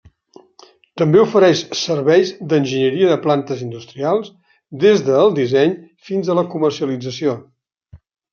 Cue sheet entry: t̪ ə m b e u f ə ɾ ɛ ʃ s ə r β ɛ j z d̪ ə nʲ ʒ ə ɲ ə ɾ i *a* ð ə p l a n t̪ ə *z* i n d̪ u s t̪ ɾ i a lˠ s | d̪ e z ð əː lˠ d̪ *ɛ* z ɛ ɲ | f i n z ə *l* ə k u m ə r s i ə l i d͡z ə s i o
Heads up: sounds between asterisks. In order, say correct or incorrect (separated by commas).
incorrect, correct, incorrect, correct